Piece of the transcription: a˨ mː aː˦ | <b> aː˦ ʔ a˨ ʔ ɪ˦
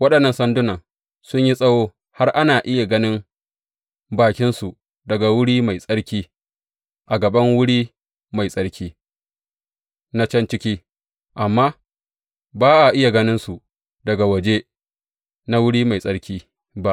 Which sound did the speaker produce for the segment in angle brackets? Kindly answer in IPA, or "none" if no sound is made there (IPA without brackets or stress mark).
b